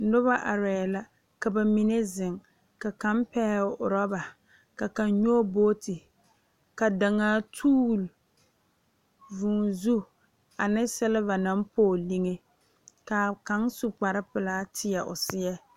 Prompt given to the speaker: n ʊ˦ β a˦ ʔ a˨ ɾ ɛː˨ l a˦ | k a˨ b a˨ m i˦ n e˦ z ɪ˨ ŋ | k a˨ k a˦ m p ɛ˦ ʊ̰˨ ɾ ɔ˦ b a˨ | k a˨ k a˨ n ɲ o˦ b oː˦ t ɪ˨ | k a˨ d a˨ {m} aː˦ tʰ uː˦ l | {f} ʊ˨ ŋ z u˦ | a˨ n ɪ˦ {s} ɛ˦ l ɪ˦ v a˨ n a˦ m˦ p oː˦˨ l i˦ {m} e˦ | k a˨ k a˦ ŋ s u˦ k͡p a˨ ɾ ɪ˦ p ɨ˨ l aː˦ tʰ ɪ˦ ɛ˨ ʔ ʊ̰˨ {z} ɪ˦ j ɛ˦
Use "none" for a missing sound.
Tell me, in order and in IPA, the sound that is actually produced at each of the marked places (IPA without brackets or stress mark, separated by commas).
ŋ, v, s, ŋ, s